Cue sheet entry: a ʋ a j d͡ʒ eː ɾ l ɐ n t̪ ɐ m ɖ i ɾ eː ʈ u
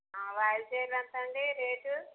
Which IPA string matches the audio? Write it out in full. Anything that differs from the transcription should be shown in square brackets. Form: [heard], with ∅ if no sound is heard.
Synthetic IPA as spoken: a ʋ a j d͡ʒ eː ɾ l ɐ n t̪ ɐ [ɳ] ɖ i ɾ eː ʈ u